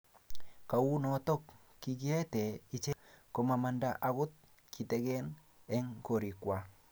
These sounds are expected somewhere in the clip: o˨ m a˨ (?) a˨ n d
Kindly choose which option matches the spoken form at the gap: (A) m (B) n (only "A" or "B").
A